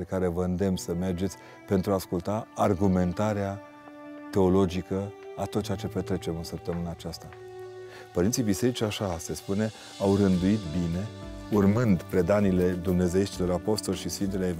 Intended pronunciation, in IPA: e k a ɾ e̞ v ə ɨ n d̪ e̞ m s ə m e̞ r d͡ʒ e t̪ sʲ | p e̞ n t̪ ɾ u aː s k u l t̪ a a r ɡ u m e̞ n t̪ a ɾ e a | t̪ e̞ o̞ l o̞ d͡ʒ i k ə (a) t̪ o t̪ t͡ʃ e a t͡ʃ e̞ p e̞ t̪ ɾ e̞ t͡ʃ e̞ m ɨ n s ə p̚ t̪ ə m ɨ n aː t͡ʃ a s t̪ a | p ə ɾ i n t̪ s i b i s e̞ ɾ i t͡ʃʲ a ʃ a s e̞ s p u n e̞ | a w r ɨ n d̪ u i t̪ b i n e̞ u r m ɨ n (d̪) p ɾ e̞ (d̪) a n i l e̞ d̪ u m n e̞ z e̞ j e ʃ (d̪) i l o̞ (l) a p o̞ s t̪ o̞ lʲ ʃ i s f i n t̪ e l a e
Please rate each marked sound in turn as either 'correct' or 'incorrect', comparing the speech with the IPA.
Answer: correct, correct, correct, incorrect, incorrect

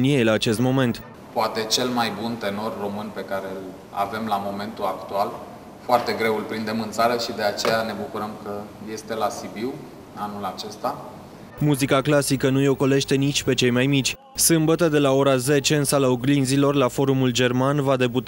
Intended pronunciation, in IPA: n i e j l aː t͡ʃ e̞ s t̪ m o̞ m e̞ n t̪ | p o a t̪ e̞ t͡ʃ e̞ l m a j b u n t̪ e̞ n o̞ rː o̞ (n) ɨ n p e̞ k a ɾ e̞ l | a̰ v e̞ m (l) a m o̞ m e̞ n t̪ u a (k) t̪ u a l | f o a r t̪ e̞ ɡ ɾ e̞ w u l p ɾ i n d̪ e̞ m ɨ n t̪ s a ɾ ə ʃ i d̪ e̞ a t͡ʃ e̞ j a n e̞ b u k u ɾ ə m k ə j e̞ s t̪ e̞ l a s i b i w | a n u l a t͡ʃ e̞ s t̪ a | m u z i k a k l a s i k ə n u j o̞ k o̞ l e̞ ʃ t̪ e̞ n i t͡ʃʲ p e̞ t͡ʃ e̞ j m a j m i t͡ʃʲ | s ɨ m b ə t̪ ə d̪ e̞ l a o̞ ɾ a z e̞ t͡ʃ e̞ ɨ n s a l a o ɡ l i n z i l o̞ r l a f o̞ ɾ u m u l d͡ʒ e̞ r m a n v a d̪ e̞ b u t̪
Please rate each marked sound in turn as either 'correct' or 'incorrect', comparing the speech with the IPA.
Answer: incorrect, correct, correct

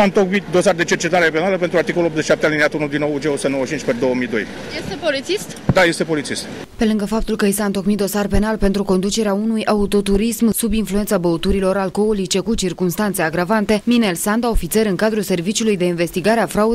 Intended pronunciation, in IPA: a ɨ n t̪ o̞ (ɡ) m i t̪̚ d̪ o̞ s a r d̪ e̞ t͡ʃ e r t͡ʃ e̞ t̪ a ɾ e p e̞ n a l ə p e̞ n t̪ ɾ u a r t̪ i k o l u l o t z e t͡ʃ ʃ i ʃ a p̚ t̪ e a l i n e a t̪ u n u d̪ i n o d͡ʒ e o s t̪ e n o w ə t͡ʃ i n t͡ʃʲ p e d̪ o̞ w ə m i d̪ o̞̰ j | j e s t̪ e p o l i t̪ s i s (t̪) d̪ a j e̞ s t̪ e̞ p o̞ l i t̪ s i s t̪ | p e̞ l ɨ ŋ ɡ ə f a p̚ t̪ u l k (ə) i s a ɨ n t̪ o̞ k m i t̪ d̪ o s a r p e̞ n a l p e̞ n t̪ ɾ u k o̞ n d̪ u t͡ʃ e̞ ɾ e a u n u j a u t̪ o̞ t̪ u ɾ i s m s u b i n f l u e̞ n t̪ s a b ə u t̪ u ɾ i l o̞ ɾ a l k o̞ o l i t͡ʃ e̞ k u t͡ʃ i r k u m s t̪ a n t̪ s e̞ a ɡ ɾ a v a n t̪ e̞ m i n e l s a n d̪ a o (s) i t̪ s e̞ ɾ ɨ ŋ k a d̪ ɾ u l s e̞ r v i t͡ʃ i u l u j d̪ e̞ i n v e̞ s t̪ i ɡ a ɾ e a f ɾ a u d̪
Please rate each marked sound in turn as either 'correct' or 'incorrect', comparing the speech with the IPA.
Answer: incorrect, correct, correct, incorrect

